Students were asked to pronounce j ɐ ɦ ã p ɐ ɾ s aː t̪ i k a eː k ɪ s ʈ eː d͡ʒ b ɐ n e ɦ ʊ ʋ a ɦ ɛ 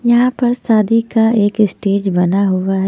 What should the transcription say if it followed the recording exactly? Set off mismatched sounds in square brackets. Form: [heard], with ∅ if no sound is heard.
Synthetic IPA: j ɐ ɦ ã p ɐ ɾ s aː [d̪] i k a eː k ɪ s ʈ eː d͡ʒ b ɐ n [a] ɦ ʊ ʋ a ɦ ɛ

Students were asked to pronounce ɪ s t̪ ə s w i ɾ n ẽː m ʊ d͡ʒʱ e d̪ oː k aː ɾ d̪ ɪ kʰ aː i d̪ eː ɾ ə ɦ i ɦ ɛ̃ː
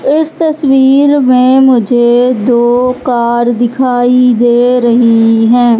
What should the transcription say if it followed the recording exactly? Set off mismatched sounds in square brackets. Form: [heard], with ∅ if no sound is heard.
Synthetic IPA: ɪ s t̪ ə s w [iː] ɾ [m] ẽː m ʊ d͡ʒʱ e d̪ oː k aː ɾ d̪ ɪ kʰ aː i d̪ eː ɾ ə ɦ i ɦ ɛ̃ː

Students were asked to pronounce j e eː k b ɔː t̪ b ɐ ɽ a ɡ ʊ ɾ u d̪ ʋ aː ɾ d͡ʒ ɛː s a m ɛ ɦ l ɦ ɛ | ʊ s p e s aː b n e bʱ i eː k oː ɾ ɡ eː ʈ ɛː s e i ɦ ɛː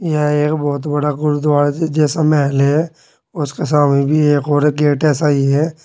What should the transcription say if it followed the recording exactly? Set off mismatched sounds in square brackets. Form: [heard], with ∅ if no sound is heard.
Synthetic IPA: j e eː k b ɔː t̪ b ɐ ɽ a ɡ ʊ ɾ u d̪ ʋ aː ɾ d͡ʒ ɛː s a m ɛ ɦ l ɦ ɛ | ʊ s [k] e s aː [m] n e bʱ i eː k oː ɾ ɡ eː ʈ ɛː s [a] i ɦ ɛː

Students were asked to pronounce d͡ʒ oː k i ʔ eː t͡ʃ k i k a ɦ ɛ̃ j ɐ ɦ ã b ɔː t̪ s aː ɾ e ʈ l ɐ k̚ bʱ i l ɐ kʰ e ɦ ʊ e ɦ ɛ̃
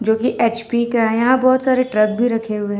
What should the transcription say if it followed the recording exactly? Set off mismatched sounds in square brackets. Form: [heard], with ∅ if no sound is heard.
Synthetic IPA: d͡ʒ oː k i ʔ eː t͡ʃ [p] i k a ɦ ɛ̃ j ɐ ɦ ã b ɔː t̪ s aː ɾ e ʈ [ɾ] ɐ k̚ bʱ i [ɾ] ɐ kʰ e ɦ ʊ e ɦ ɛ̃

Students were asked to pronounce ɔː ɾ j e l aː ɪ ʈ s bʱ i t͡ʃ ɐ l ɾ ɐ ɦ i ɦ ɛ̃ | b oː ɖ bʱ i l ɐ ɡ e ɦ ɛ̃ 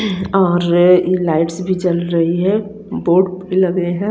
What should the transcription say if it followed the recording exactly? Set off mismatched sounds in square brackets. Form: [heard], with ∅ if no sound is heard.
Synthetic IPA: ɔː ɾ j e l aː ɪ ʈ s bʱ i t͡ʃ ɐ l ɾ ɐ ɦ i ɦ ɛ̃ | b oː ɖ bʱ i l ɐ ɡ e ɦ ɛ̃

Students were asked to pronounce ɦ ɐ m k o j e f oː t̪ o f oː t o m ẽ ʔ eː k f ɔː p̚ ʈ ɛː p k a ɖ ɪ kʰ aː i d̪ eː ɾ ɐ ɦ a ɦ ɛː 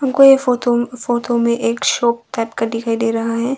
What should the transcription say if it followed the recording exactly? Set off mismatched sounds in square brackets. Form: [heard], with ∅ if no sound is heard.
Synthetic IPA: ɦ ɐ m k o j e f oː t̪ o f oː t o m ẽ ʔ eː k [ʃ] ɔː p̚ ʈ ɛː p k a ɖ ɪ kʰ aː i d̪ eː ɾ ɐ ɦ a ɦ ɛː

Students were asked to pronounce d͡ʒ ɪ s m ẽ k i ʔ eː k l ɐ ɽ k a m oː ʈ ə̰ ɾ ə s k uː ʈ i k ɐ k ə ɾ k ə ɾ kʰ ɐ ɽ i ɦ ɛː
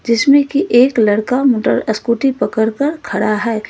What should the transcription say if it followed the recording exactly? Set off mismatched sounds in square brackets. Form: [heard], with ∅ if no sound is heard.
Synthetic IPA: d͡ʒ ɪ s m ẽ k i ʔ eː k l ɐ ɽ k a m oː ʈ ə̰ ɾ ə s k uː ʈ i [p] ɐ k ə ɾ k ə ɾ kʰ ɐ ɽ [a] ɦ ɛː

